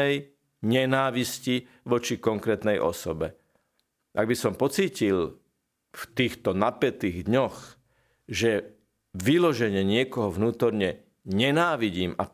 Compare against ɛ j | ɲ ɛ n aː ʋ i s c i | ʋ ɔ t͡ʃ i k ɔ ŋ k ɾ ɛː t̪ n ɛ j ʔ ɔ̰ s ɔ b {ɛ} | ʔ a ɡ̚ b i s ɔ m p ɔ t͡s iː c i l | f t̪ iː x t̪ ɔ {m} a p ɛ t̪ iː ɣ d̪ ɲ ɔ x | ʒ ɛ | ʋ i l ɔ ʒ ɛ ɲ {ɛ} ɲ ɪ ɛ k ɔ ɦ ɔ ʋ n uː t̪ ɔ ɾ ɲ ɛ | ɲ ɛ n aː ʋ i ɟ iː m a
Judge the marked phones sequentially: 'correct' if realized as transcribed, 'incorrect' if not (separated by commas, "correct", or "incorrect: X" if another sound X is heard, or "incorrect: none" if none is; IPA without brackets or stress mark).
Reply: correct, incorrect: n, correct